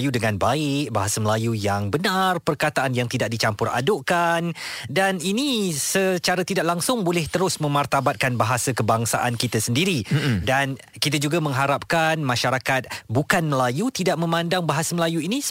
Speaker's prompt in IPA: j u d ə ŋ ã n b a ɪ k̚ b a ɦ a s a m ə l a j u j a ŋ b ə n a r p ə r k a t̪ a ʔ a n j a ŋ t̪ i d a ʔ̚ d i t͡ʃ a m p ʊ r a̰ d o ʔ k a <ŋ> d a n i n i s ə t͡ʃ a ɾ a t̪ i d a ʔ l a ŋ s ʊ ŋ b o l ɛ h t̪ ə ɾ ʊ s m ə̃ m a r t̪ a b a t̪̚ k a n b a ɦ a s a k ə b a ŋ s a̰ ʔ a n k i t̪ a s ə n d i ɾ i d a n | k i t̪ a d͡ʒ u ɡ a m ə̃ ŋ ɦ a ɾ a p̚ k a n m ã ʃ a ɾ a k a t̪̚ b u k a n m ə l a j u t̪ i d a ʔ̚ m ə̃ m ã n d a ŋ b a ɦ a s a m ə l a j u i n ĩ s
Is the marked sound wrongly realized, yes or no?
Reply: yes